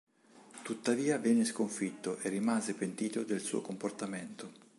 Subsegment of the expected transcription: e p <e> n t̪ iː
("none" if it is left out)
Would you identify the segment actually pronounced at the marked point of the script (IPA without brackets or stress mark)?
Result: e